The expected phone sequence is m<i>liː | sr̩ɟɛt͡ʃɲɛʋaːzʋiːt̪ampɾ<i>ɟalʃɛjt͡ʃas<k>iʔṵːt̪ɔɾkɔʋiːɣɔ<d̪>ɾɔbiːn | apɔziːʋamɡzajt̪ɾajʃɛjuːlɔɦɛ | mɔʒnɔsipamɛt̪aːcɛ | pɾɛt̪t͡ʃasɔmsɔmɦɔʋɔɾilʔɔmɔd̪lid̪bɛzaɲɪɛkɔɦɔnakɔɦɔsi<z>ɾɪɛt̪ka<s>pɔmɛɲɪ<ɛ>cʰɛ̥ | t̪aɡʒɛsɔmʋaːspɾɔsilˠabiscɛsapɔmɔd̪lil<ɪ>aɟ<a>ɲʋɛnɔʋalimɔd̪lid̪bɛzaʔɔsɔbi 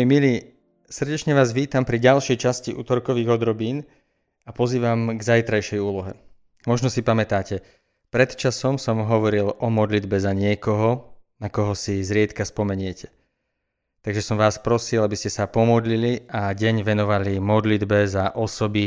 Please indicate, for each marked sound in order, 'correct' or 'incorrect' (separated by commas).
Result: correct, correct, incorrect, correct, correct, correct, correct, incorrect, incorrect